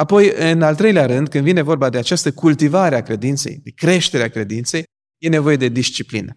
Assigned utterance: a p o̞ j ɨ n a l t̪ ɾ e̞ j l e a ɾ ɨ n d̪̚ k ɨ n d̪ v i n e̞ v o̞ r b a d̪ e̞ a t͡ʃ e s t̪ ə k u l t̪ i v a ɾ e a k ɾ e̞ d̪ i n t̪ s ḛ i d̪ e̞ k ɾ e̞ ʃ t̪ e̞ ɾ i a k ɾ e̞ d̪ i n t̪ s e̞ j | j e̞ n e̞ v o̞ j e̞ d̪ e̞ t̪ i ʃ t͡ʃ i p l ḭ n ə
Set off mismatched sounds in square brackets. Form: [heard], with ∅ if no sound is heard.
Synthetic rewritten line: a p o̞ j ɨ n a l t̪ ɾ e̞ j l e a ɾ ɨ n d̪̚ k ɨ n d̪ v i n e̞ v o̞ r b a d̪ e̞ a t͡ʃ [a] s t̪ ə k u l t̪ i v a ɾ e a k ɾ e̞ d̪ i n t̪ s ḛ [j] d̪ e̞ k ɾ e̞ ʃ t̪ e̞ ɾ [e] a k ɾ e̞ d̪ i n t̪ s e̞ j | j e̞ n e̞ v o̞ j e̞ d̪ e̞ [d̪] i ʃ t͡ʃ i p l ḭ n ə